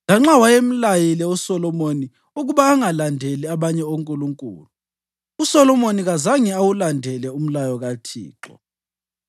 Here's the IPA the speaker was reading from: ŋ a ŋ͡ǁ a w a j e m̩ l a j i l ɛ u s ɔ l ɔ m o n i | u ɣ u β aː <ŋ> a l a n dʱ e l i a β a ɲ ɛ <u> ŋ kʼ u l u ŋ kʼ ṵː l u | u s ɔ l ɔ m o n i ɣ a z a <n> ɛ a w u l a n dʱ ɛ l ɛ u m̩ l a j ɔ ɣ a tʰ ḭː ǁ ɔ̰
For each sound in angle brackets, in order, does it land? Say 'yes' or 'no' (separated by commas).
yes, no, no